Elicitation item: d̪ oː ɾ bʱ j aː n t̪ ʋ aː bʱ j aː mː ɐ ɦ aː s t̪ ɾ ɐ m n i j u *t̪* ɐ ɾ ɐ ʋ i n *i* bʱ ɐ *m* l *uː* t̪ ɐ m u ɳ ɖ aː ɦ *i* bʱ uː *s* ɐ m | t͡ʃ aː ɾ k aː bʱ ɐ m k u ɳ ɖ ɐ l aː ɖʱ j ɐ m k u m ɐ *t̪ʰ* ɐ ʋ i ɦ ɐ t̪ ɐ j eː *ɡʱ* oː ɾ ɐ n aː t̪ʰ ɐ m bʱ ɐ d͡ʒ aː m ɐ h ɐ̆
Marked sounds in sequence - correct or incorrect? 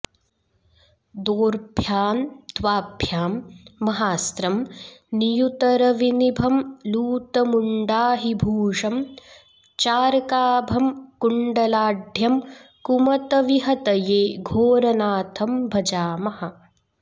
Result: correct, correct, correct, correct, correct, incorrect, incorrect, correct

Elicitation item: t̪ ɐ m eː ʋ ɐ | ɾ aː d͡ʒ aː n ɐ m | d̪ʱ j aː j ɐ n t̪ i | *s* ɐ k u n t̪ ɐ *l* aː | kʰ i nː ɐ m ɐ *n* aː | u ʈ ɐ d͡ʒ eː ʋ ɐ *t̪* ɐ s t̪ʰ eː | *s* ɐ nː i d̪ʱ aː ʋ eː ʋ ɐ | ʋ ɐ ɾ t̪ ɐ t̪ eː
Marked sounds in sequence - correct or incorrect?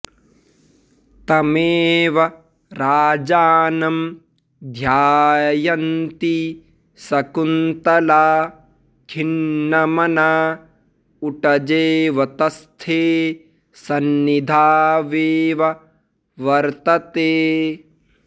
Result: correct, correct, correct, correct, correct

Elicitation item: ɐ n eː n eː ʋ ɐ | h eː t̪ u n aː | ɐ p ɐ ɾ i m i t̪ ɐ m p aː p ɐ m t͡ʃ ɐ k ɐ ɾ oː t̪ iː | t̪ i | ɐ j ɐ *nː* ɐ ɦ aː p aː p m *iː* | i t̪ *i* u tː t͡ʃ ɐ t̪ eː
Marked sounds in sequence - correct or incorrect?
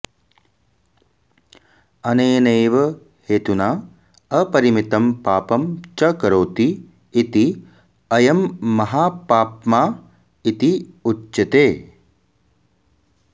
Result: incorrect, incorrect, correct

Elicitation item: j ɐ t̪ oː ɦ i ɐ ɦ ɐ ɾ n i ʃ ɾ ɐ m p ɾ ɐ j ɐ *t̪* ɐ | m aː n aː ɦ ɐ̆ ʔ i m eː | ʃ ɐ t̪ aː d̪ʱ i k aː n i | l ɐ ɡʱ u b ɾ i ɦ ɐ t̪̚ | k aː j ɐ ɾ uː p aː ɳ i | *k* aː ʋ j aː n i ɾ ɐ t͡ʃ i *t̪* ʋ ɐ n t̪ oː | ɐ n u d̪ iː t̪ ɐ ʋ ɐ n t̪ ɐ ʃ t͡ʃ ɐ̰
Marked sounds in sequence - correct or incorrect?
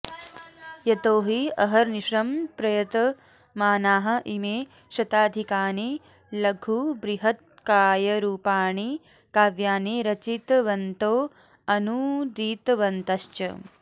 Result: correct, correct, correct

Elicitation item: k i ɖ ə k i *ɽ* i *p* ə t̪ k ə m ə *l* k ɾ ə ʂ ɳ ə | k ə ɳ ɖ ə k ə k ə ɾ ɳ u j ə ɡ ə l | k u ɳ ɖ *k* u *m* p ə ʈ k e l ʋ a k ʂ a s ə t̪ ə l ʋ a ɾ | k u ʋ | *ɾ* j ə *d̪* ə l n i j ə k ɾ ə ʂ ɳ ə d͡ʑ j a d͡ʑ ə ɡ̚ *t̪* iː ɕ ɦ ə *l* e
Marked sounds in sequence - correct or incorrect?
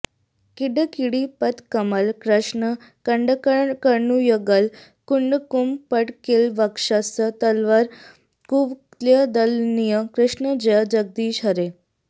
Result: correct, correct, correct, correct, correct, incorrect, correct, incorrect, incorrect

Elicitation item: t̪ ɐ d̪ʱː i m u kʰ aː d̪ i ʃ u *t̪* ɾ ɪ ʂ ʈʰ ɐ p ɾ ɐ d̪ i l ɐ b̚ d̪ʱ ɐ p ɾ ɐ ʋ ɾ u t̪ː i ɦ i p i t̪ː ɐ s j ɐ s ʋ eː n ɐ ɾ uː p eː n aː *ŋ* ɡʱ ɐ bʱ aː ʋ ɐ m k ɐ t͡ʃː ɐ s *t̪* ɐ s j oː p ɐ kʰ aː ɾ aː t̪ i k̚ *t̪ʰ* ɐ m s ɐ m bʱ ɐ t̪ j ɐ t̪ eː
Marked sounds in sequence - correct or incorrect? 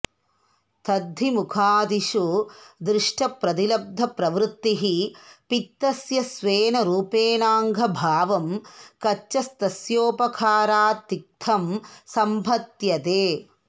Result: incorrect, correct, correct, correct

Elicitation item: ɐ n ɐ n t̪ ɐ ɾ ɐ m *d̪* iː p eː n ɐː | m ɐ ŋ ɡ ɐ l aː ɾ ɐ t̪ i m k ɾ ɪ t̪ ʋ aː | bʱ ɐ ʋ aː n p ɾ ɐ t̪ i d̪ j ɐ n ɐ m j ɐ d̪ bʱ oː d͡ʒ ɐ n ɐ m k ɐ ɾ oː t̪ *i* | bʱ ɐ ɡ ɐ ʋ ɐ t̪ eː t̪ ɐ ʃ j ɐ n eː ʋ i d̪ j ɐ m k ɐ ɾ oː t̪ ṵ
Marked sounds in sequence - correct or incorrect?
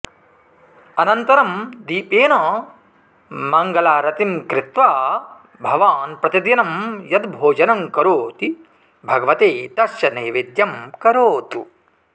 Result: correct, correct

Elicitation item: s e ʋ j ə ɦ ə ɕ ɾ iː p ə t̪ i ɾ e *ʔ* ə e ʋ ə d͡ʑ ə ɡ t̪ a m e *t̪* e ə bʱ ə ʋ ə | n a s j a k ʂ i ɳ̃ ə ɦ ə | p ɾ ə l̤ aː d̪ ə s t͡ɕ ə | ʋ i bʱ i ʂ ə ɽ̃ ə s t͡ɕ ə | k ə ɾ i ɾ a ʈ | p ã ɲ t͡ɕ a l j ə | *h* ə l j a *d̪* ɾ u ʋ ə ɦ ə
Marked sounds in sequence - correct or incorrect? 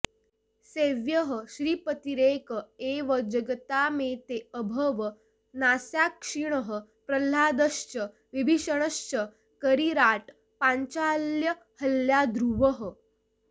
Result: incorrect, correct, correct, correct

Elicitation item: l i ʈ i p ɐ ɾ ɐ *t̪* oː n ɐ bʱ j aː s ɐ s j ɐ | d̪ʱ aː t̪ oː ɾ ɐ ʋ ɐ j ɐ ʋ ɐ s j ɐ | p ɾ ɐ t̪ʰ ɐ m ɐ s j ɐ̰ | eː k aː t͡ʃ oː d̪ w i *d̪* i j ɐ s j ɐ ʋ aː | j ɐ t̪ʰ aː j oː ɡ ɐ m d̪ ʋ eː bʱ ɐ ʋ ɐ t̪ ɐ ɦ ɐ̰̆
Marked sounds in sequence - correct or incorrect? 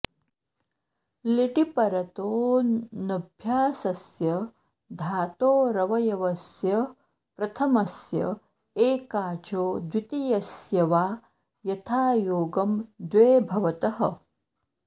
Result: correct, incorrect

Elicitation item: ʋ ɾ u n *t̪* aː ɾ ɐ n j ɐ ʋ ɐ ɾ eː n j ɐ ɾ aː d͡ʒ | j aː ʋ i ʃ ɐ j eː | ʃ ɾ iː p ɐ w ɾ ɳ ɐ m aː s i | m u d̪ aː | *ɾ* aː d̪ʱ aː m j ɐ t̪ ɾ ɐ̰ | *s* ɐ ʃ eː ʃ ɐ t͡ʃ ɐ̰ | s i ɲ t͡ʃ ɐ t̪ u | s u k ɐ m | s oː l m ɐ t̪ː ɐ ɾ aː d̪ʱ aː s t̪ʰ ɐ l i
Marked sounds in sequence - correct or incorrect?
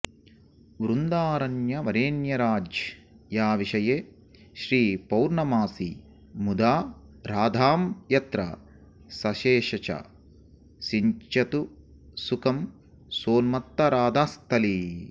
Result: incorrect, correct, correct

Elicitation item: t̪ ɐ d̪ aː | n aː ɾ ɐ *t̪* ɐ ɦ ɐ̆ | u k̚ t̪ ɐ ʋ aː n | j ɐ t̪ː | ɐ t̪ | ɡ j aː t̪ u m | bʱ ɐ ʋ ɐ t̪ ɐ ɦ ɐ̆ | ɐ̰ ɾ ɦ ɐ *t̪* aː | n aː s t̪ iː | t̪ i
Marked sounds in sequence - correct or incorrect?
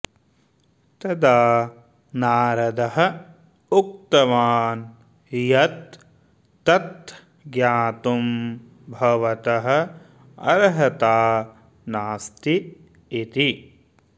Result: incorrect, correct

